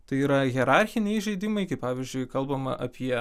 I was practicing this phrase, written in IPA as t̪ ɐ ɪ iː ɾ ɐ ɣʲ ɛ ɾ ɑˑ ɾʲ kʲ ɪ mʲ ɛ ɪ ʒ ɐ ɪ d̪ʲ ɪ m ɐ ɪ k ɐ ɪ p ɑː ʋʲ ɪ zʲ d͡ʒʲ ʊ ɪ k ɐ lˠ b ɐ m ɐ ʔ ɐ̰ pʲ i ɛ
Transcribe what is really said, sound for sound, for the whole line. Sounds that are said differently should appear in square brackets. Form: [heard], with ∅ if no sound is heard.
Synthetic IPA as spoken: t̪ ɐ ɪ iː ɾ ɐ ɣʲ ɛ ɾ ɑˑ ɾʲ [xʲ] ɪ [nʲ] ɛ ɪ ʒ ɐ ɪ d̪ʲ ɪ m ɐ ɪ k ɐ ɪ p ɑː ʋʲ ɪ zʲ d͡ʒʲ ʊ ɪ k ɐ lˠ b ɐ m ɐ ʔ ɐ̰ pʲ i ɛ

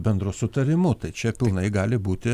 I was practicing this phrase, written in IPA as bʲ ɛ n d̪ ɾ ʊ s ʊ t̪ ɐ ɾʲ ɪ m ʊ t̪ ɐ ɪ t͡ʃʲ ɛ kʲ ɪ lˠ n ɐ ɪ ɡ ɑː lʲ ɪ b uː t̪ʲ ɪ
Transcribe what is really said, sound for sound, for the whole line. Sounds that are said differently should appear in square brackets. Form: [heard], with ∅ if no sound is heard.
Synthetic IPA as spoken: bʲ ɛ n d̪ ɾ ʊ s ʊ t̪ ɐ ɾʲ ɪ m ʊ t̪ ɐ ɪ t͡ʃʲ ɛ [pʲ] ɪ lˠ n ɐ ɪ ɡ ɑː lʲ ɪ b uː t̪ʲ ɪ

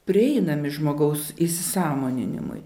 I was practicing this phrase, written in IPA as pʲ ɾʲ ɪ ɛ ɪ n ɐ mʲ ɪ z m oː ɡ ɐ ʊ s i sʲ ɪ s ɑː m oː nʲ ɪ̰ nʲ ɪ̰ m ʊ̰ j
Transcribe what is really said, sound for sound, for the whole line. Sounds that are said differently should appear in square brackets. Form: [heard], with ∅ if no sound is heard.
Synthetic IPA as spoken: pʲ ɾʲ ɪ ɛ ɪ n ɐ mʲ ɪ [ʒ] m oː ɡ ɐ ʊ s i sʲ ɪ s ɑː m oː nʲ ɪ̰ nʲ ɪ̰ m ʊ̰ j

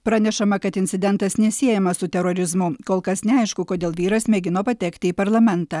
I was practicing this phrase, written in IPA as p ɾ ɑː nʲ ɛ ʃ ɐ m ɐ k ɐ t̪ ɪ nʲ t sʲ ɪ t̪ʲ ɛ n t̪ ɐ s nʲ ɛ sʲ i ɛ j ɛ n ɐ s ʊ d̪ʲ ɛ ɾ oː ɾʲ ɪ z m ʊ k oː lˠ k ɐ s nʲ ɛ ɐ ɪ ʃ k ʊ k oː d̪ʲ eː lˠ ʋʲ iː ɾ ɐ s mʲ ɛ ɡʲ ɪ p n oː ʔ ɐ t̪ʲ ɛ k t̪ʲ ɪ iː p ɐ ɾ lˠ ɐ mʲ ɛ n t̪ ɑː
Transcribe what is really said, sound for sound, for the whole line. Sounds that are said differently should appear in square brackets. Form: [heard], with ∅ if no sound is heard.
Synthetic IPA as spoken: p ɾ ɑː nʲ ɛ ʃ ɐ m ɐ k ɐ t̪ ɪ nʲ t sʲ ɪ [d̪ʲ] ɛ n t̪ ɐ s nʲ ɛ sʲ i ɛ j ɛ [m] ɐ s ʊ [t̪ʲ] ɛ ɾ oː ɾʲ ɪ z m ʊ k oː lˠ k ɐ s nʲ ɛ ɐ ɪ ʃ k ʊ k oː d̪ʲ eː lˠ ʋʲ iː ɾ ɐ s mʲ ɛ ɡʲ ɪ [∅] n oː [p] ɐ t̪ʲ ɛ k t̪ʲ ɪ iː p ɐ ɾ lˠ ɐ mʲ ɛ n t̪ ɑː

